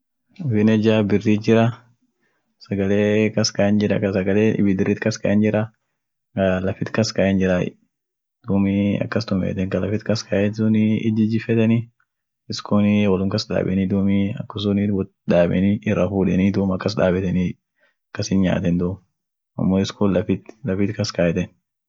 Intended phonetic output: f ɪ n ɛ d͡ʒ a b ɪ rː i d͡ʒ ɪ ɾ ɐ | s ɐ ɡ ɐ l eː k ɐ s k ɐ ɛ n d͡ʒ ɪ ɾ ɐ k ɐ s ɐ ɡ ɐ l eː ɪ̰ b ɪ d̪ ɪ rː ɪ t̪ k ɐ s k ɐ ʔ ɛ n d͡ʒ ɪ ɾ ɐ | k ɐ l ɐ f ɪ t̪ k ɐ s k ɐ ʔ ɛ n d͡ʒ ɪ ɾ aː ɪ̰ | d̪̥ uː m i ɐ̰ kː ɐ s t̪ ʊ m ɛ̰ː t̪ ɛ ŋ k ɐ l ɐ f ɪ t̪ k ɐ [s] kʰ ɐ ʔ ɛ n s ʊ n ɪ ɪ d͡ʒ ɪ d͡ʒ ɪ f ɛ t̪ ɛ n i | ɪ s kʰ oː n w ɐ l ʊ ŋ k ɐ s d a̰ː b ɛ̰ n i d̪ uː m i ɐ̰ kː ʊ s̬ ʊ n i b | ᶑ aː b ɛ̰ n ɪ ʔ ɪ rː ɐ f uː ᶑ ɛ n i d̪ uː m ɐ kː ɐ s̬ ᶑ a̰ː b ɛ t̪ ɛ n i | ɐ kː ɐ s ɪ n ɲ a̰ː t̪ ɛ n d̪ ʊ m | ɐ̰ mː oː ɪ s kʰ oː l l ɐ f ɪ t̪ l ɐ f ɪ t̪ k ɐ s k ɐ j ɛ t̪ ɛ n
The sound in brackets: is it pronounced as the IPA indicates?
yes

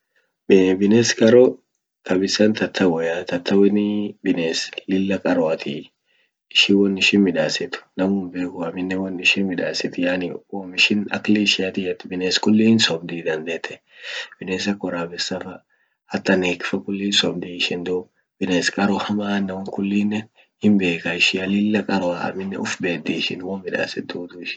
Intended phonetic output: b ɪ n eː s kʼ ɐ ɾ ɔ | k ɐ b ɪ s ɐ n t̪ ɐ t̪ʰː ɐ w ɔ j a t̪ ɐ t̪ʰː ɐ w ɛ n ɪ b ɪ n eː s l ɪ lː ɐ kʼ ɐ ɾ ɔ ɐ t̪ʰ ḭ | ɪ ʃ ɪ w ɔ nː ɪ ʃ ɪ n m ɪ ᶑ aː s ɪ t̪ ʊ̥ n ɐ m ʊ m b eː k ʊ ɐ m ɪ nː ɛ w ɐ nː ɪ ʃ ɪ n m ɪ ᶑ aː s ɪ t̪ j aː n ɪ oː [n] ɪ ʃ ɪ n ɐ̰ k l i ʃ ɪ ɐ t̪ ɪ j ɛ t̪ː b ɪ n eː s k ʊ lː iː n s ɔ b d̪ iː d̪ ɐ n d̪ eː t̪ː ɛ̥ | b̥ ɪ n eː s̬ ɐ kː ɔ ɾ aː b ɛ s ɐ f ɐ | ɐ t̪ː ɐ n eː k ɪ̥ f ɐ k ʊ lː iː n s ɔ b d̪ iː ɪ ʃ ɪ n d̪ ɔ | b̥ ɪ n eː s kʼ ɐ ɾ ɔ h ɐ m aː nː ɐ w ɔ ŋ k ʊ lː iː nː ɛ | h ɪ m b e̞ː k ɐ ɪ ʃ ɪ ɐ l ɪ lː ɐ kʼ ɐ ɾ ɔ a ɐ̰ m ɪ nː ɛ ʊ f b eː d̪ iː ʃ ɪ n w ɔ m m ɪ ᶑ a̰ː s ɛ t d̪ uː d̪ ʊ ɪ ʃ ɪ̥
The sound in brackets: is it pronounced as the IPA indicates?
no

